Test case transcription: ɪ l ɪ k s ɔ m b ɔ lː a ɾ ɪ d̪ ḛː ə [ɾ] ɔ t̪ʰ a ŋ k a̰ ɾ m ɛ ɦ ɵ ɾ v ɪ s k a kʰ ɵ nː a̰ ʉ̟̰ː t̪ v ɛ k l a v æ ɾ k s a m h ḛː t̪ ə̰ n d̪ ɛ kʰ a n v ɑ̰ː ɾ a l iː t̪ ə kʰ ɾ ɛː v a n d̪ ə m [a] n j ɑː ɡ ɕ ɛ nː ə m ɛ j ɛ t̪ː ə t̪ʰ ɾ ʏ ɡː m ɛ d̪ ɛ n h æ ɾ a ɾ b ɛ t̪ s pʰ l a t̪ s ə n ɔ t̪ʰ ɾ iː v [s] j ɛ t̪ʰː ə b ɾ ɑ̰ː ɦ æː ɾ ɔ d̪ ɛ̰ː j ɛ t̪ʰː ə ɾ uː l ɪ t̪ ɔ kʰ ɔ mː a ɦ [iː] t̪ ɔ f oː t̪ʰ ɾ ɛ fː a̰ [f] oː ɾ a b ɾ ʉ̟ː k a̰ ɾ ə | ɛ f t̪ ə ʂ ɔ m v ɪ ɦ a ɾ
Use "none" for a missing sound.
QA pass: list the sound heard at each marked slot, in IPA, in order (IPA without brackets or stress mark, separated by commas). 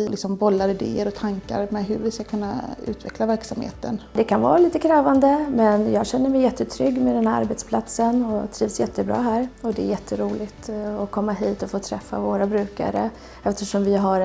ɾ, ɛ, s, iː, v